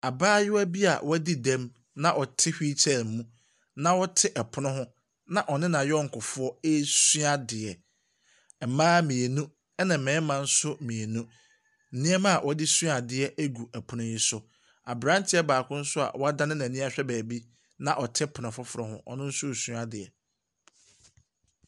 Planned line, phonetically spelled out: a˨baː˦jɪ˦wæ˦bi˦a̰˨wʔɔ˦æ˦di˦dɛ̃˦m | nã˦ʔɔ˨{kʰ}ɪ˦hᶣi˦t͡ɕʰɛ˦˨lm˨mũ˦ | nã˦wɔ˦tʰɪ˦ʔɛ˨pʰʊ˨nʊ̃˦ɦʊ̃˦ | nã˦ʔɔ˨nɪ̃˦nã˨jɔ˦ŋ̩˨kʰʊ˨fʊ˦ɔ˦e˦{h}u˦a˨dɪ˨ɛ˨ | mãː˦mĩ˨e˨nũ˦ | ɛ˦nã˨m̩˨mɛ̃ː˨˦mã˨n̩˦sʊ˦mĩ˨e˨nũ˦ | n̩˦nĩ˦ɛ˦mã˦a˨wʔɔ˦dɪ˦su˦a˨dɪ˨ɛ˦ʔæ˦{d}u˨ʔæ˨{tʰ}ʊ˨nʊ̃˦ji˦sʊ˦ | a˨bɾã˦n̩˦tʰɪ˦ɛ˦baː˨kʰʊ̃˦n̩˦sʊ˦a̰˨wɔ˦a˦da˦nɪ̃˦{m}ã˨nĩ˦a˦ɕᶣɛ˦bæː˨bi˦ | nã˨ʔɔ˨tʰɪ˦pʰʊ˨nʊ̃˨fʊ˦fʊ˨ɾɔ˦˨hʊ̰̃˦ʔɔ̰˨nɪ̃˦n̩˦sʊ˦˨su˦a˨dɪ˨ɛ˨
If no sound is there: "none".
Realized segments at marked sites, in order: tʰ, s, ɡ, pʰ, n

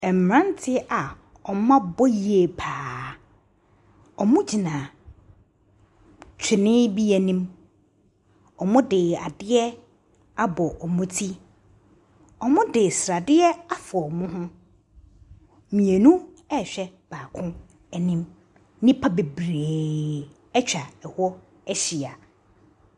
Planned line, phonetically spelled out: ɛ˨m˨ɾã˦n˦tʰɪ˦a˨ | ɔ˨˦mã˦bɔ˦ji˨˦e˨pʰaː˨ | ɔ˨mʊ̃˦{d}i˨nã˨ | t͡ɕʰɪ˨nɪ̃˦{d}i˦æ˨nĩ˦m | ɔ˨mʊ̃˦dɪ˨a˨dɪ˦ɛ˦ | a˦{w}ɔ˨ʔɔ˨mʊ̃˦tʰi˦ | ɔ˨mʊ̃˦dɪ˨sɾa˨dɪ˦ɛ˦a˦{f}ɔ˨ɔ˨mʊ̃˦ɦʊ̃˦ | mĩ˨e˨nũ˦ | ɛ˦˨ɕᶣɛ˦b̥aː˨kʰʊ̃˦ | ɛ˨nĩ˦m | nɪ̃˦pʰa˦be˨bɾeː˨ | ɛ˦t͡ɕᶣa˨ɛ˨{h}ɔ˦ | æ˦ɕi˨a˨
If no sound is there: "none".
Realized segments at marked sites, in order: d͡ʑ, b, b, f, h

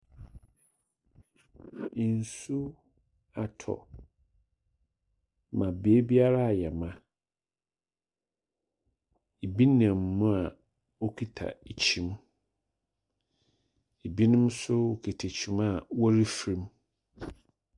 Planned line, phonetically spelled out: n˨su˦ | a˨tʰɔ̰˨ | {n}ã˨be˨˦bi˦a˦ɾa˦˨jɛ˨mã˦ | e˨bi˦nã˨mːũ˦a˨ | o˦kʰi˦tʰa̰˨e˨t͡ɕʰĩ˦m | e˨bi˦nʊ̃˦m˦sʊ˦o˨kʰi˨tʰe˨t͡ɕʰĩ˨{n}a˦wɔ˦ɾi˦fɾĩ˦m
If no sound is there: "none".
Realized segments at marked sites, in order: m, m

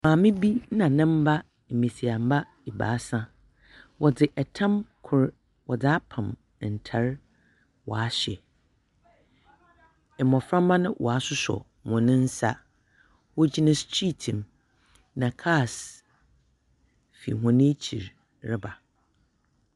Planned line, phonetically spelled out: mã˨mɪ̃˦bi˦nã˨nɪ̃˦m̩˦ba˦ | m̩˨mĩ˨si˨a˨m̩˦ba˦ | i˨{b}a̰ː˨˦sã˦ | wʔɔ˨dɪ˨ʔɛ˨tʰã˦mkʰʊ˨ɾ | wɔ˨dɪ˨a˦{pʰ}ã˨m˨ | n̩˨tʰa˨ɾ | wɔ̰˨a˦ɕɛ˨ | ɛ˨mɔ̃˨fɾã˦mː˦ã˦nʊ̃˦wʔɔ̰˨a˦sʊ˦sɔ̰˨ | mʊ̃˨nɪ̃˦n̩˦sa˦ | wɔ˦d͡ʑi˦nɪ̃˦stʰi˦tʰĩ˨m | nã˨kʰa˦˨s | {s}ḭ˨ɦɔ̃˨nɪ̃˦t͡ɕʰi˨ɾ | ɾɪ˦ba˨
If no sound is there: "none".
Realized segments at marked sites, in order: b, pʰ, f

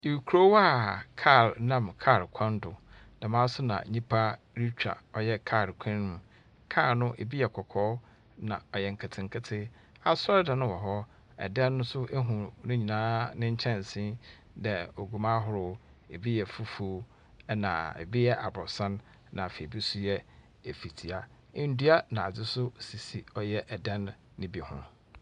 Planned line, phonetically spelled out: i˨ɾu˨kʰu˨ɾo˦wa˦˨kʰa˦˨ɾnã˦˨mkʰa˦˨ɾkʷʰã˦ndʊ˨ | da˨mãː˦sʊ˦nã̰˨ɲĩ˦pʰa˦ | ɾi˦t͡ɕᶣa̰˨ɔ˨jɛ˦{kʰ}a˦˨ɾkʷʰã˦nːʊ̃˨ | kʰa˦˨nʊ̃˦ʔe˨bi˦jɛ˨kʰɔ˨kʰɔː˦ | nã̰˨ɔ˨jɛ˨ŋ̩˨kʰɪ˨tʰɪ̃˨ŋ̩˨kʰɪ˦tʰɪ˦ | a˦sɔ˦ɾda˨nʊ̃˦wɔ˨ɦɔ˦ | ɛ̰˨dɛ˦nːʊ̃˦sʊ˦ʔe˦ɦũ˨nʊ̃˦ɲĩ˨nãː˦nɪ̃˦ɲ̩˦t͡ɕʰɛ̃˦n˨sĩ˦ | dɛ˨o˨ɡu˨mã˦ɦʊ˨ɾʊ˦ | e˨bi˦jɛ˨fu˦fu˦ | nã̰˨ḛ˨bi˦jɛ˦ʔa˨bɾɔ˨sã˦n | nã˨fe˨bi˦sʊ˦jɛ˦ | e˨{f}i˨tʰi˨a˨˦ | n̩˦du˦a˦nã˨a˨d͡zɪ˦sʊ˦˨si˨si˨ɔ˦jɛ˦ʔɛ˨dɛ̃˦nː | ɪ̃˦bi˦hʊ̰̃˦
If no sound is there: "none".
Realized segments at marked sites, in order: kʰ, f

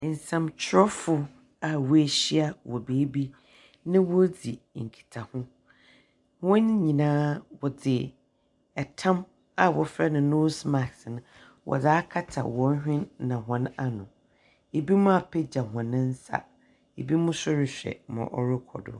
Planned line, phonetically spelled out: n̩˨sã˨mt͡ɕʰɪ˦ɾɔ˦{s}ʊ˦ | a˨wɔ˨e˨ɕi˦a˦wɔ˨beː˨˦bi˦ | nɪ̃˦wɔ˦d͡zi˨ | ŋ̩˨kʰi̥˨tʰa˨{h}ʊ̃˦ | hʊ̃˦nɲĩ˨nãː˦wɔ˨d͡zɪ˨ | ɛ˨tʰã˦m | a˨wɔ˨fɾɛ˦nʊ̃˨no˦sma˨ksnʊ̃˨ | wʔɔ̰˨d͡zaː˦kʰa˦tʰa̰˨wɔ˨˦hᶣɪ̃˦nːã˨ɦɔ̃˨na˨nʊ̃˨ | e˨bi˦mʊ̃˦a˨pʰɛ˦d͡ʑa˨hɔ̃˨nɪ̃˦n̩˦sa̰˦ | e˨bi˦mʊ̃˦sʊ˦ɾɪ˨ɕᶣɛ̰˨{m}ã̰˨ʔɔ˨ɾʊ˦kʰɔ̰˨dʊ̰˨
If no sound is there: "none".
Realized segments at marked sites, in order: f, h, m

